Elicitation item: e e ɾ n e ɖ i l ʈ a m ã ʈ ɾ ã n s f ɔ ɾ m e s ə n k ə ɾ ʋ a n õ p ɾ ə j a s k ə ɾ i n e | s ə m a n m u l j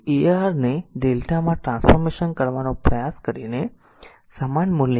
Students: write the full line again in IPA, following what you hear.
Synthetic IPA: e a ɾ n e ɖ e l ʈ a m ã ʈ ɾ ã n s f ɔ ɾ m e ʃ ə n k ə ɾ ʋ a n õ p ɾ ə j a s k ə ɾ i n e | s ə m a n m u l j